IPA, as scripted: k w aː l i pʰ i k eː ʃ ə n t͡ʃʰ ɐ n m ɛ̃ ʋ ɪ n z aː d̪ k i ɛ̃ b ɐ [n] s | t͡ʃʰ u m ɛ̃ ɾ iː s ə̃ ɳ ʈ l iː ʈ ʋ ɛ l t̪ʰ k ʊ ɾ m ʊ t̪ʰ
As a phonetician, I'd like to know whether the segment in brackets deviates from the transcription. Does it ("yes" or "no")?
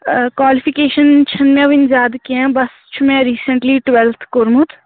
yes